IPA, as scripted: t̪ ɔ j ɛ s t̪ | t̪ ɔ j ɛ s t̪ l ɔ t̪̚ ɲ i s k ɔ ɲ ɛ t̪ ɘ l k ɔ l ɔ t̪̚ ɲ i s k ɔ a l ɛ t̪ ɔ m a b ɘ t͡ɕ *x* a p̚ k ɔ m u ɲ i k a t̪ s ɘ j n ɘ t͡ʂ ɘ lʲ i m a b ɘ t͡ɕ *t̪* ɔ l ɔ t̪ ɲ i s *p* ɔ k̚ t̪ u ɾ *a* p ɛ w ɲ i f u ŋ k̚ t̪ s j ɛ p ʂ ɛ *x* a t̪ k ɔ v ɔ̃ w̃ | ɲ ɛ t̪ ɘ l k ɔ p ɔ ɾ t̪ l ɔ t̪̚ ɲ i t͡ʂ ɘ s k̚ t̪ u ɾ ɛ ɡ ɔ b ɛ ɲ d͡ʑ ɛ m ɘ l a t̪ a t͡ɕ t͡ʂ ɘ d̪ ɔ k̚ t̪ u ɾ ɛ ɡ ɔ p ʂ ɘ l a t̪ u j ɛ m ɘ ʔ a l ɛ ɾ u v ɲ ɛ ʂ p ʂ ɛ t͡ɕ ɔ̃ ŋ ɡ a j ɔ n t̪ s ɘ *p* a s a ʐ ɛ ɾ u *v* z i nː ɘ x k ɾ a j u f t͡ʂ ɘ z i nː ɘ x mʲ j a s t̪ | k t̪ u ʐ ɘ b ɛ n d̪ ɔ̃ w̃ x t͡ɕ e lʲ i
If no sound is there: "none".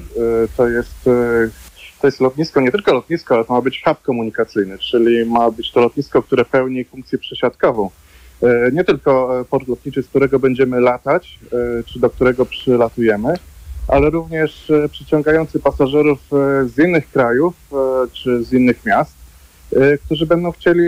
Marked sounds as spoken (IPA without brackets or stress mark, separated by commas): x, t̪, k, ɛ, ɕ, p, f